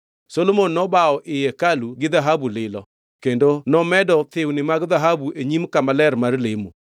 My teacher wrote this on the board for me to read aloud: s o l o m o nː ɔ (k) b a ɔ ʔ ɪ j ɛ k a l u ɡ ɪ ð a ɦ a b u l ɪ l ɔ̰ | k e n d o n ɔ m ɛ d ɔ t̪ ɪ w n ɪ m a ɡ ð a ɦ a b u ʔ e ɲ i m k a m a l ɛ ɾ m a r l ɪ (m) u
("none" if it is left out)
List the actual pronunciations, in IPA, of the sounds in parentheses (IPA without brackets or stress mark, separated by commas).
none, m